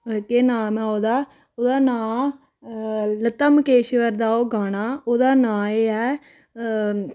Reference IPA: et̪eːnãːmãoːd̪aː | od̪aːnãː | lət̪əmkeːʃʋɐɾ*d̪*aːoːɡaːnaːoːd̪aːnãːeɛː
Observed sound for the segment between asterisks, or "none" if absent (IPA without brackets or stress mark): d̪